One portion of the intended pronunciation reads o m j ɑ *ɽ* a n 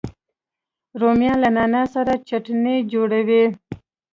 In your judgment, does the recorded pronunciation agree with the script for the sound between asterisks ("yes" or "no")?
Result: no